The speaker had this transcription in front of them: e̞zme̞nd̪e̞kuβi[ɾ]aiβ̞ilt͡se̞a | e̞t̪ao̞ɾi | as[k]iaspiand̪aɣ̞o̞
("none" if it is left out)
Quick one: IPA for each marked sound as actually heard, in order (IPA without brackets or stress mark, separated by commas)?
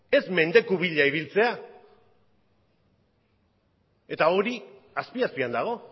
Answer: ʎ, p